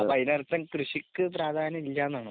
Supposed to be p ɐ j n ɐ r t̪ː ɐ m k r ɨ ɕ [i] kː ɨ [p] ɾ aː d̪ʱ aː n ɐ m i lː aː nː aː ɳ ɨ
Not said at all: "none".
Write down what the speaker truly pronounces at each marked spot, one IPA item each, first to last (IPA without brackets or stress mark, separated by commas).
i, p